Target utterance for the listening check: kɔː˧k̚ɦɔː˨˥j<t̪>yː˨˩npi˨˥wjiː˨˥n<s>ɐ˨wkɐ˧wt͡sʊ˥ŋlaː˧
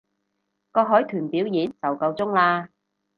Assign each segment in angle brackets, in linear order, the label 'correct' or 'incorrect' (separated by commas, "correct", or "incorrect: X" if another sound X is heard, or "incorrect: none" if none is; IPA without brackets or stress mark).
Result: incorrect: t̪ʰ, incorrect: t͡s